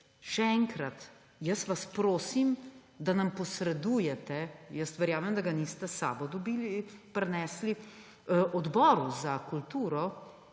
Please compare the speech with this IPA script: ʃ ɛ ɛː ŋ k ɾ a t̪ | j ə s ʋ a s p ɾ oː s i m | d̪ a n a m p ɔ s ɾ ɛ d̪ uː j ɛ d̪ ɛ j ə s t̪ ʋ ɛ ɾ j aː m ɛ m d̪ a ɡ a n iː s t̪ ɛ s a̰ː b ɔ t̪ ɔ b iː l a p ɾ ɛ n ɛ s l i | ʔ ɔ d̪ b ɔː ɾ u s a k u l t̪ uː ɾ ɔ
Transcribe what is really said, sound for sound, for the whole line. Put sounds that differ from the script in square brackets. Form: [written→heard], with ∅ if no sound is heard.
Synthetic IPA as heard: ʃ ɛ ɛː ŋ k ɾ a t̪ | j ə s ʋ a s p ɾ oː s i m | d̪ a n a m p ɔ s ɾ ɛ d̪ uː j ɛ [d̪→t̪] ɛ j ə s t̪ ʋ ɛ ɾ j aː m ɛ m d̪ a ɡ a n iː s t̪ ɛ s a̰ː b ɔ [t̪→d̪] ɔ b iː l [a→i] p ɾ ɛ n ɛ s l i | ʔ ɔ d̪ b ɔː ɾ u [s→z] a k u l t̪ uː ɾ ɔ